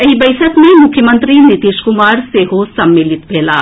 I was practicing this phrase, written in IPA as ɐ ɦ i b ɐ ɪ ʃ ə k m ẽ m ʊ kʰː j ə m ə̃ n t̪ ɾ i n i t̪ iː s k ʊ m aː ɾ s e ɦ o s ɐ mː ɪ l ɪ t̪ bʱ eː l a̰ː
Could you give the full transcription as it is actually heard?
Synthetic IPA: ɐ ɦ i b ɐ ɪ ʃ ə k m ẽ m ʊ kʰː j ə m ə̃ n t̪ ɾ i n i t̪ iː ʃ k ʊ m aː ɾ s e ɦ o s ɐ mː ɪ l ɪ t̪ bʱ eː l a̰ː